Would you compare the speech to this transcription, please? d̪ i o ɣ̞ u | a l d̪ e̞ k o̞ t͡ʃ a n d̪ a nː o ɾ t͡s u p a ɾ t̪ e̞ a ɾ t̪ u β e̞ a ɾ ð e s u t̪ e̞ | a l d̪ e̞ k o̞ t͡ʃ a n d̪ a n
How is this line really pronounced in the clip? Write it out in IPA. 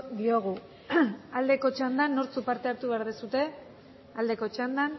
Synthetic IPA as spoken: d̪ i o ɣ̞ u | a l d̪ e̞ k o̞ t͡ʃ a n d̪ a nː o ɾ t͡s u p a ɾ t̪ e̞ a ɾ t̪ u β e̞ a ɾ ð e s u t̪ e̞ | a l d̪ e̞ k o̞ t͡ʃ a n d̪ a n

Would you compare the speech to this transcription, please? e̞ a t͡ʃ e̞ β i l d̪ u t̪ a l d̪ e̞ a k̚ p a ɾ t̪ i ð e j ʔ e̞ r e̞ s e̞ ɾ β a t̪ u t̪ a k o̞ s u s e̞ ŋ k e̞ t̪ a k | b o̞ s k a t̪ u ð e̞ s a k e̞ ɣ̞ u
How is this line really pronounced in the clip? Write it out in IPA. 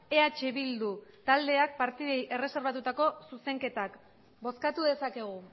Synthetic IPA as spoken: e̞ a t͡ʃ e̞ β i l d̪ u t̪ a l d̪ e̞ a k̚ p a ɾ t̪ i ð e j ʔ e̞ r e̞ s e̞ ɾ β a t̪ u t̪ a k o̞ s u s e̞ ŋ k e̞ t̪ a k | b o̞ s k a t̪ u ð e̞ s a k e̞ ɣ̞ u

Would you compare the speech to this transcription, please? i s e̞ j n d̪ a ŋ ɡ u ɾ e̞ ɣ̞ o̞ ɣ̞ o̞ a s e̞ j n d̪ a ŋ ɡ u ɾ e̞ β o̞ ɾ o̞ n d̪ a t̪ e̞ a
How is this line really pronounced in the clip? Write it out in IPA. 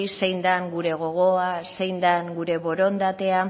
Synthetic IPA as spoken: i s e̞ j n d̪ a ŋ ɡ u ɾ e̞ ɣ̞ o̞ ɣ̞ o̞ a s e̞ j n d̪ a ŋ ɡ u ɾ e̞ β o̞ ɾ o̞ n d̪ a t̪ e̞ a

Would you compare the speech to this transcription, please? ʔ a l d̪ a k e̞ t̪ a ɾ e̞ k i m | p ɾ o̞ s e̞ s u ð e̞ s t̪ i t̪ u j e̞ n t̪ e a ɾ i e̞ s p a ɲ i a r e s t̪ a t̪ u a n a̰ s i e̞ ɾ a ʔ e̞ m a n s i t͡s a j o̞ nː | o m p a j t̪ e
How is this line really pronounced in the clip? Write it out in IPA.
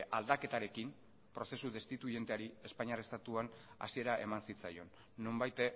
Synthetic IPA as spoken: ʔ a l d̪ a k e̞ t̪ a ɾ e̞ k i m | p ɾ o̞ s e̞ s u ð e̞ s t̪ i t̪ u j e̞ n t̪ e a ɾ i e̞ s p a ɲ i a r e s t̪ a t̪ u a n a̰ s i e̞ ɾ a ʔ e̞ m a n s i t͡s a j o̞ nː | o m b a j t̪ e

